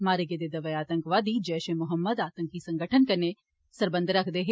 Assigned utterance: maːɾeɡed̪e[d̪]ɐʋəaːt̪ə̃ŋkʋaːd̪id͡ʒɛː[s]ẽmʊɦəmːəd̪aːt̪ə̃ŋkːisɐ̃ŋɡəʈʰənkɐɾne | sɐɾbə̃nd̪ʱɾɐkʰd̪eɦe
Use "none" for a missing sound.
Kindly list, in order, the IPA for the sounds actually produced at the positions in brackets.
d̪, ʃ

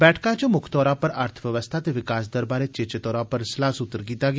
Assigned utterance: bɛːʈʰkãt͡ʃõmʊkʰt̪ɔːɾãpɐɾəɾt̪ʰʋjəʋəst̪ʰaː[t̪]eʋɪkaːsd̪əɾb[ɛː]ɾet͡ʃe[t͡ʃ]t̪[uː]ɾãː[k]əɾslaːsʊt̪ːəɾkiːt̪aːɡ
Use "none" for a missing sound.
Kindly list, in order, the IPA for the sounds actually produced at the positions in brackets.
t̪, aː, t͡ʃ, ɔː, p

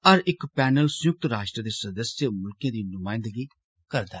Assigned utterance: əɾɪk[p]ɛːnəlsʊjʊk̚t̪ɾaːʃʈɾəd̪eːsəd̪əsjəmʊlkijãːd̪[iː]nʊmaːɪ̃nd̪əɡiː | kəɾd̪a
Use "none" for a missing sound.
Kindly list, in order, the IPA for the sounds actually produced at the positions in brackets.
p, iː

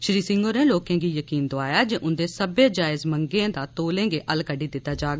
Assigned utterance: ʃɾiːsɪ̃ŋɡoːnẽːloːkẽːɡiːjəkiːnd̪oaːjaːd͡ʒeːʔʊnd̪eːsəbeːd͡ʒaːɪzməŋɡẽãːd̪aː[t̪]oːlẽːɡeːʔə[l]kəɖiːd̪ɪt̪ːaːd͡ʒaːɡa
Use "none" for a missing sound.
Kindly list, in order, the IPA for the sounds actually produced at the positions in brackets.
t̪, l

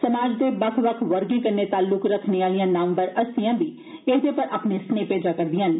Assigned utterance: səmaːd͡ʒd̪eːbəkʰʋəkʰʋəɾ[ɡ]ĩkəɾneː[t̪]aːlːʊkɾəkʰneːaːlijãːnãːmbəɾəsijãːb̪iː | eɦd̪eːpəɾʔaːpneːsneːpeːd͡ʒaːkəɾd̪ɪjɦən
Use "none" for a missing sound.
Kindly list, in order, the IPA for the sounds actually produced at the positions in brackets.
ɡ, t̪

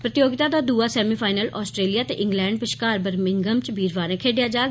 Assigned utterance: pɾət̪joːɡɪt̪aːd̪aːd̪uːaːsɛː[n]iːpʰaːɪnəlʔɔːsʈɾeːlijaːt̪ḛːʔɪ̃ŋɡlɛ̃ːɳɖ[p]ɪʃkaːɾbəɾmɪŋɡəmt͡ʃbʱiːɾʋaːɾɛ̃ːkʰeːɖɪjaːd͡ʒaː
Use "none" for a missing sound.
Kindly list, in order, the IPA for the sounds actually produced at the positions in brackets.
m, p

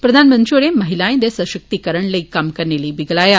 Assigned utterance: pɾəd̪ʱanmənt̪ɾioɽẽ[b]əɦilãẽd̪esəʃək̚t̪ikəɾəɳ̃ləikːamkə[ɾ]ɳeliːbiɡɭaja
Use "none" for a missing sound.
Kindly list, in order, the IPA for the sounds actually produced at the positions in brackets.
m, ɾ

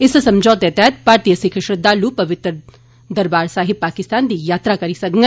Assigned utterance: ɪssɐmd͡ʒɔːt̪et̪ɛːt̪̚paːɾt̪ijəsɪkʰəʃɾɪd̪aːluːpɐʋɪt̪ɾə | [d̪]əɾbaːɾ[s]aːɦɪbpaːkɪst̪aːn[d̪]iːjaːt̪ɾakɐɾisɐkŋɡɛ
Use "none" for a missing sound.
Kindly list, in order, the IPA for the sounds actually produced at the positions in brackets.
d̪, s, d̪

